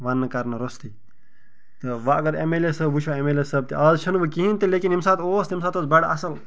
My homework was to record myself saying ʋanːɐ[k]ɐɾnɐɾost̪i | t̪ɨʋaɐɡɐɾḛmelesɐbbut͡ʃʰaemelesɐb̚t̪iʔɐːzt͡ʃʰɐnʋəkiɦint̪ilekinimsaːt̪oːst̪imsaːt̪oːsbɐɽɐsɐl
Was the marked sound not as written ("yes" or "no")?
no